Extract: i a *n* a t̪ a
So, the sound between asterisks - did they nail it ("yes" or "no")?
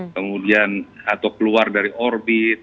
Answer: yes